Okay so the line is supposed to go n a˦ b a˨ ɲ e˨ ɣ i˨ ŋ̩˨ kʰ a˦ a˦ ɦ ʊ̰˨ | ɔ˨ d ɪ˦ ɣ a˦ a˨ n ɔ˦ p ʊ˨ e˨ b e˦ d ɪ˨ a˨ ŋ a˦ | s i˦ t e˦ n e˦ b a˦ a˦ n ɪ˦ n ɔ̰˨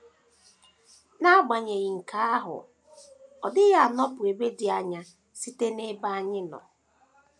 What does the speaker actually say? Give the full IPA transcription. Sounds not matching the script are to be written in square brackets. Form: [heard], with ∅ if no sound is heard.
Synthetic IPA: n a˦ [ɡ͡b] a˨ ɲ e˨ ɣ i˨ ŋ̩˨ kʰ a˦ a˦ ɦ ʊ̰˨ | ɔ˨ d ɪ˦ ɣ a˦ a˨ n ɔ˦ p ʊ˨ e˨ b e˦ d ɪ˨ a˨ [ɲ] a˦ | s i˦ t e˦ n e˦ b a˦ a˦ [ɲ] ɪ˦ n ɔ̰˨

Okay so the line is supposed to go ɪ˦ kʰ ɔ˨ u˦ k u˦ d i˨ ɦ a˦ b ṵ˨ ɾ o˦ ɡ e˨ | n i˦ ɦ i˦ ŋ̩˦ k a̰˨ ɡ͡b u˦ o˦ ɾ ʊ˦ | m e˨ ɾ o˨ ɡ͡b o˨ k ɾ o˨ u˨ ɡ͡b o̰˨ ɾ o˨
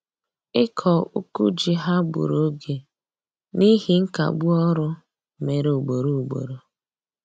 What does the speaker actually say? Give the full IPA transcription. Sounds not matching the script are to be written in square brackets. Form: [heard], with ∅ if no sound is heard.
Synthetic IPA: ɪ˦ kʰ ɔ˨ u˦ k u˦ [d͡ʒ] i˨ ɦ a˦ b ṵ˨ ɾ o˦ ɡ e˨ | n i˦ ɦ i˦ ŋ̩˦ k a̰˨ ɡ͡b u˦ [ɔ˦] ɾ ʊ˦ | m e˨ ɾ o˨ ɡ͡b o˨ [∅] ɾ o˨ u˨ ɡ͡b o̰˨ ɾ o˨

